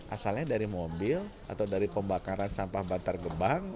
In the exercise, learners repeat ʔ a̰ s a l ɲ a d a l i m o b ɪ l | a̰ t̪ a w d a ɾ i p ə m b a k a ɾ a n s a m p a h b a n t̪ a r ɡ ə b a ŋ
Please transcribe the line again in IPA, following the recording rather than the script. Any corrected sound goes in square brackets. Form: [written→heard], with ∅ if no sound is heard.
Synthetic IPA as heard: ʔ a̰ s a l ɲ a d a [l→ɾ] i m o b ɪ l | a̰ t̪ a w d a ɾ i p ə m b a k a ɾ a n s a m p a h b a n t̪ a r ɡ ə b a ŋ